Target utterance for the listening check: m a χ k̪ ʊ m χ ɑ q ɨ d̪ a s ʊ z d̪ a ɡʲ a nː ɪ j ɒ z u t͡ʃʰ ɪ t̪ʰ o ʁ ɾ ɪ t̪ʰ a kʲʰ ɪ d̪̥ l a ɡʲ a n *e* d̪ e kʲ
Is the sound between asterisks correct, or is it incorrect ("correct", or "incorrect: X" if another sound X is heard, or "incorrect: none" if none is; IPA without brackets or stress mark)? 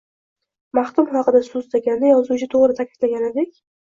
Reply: correct